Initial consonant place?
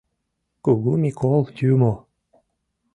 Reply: velar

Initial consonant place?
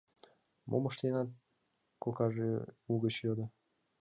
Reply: labial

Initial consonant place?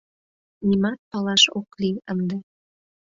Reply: alveolar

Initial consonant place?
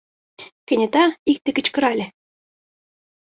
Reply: velar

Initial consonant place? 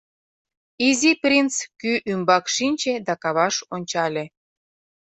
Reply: alveolar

